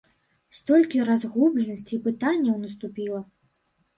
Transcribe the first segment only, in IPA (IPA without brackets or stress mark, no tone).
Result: s